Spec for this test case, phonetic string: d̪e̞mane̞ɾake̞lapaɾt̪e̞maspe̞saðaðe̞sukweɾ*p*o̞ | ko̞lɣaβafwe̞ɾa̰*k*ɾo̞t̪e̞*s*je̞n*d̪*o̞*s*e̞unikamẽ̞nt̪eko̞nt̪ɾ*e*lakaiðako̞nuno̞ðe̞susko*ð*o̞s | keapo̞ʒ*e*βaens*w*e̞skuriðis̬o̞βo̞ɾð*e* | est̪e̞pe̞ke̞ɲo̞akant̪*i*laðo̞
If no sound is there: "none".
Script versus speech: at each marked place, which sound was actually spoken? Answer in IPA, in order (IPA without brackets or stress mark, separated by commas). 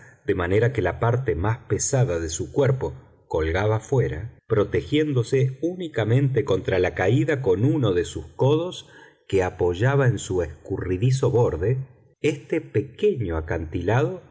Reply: p, p, x, d̪, s, a, ð, a, u, e, i